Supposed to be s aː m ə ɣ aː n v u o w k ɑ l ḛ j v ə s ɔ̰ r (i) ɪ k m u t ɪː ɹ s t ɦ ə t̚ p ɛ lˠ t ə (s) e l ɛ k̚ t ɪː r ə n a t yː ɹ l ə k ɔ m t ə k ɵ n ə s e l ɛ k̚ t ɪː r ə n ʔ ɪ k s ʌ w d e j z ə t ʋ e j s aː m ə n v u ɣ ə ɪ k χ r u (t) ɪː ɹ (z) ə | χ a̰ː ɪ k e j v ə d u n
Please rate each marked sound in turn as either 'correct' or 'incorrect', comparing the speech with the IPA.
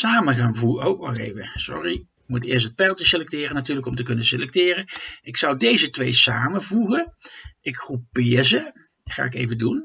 correct, correct, incorrect: p, correct

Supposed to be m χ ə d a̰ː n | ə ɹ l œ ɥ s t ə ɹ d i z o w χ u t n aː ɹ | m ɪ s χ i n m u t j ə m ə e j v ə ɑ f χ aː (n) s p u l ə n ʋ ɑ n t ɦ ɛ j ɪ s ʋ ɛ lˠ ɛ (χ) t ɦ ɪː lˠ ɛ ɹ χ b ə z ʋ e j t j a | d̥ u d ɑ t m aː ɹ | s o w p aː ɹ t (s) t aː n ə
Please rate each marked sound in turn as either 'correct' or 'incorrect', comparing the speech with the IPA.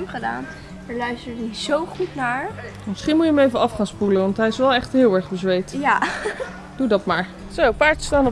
correct, correct, correct

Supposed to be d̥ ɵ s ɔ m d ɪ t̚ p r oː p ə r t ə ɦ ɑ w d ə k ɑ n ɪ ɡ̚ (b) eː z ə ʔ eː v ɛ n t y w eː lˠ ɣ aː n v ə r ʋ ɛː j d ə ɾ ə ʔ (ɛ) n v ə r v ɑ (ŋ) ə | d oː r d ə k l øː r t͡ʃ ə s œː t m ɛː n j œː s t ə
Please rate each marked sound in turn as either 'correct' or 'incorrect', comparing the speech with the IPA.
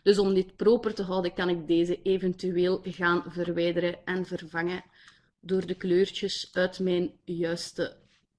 incorrect: d, correct, correct

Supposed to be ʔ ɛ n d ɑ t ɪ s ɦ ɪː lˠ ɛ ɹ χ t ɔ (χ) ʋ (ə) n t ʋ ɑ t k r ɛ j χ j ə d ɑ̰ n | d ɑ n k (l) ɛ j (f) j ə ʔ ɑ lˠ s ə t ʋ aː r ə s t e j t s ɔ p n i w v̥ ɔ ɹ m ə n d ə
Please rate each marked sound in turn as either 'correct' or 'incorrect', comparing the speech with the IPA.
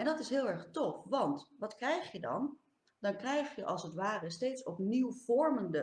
incorrect: f, incorrect: ɑ, incorrect: r, incorrect: χ

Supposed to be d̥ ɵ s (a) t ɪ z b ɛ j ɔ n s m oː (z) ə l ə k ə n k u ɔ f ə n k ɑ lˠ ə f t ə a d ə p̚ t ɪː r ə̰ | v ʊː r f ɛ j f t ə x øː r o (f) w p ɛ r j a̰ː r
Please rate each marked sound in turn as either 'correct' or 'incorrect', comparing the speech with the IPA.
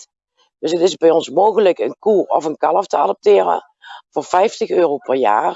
incorrect: ə, incorrect: ɣ, incorrect: none

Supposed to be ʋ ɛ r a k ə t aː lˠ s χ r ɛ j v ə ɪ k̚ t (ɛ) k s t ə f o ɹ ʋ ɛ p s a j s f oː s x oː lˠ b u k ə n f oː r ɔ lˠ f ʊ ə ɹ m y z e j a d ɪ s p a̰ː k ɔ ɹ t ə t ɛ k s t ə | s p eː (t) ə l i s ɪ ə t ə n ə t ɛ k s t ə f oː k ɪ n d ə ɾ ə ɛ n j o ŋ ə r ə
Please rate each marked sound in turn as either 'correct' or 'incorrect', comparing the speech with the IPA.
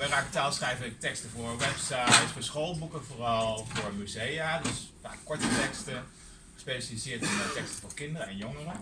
correct, incorrect: s

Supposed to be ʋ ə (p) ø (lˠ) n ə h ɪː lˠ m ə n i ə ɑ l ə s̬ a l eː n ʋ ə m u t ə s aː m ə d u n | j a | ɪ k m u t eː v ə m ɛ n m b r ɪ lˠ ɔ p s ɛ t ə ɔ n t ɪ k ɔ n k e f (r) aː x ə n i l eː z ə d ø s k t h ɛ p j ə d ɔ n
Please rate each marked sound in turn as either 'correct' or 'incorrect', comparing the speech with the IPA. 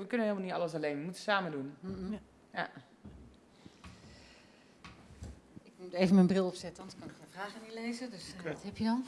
incorrect: k, incorrect: none, correct

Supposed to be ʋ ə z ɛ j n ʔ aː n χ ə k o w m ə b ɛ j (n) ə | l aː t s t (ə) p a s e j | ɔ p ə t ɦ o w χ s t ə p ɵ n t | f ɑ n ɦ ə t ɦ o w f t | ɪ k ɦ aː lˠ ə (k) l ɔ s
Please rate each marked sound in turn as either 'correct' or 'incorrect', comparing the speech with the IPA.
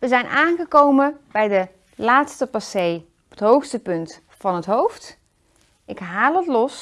incorrect: d, correct, incorrect: t

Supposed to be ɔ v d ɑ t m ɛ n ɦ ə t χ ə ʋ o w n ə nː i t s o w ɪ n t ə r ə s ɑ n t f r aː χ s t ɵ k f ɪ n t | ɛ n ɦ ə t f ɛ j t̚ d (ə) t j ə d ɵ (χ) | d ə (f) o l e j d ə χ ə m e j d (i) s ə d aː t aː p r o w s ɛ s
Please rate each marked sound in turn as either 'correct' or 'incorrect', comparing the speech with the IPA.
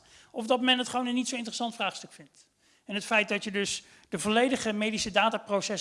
incorrect: ɑ, incorrect: s, incorrect: v, correct

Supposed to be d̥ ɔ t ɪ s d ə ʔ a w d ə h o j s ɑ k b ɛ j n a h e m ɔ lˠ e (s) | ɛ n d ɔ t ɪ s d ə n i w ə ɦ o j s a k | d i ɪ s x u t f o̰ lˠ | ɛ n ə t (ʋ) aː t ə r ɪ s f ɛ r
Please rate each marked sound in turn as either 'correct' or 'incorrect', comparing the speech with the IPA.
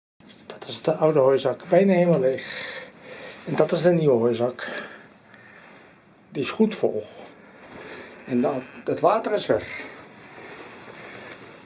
incorrect: x, correct

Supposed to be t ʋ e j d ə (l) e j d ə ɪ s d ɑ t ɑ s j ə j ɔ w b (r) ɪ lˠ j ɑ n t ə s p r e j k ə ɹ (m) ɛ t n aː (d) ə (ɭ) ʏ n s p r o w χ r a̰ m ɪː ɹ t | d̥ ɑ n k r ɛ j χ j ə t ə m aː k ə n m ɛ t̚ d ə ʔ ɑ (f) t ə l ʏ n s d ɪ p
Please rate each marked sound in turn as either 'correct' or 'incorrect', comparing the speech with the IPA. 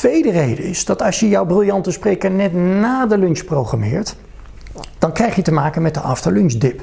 incorrect: r, correct, incorrect: n, correct, incorrect: l, correct

